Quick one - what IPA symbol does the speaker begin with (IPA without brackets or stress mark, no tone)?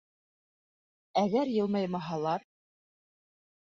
æ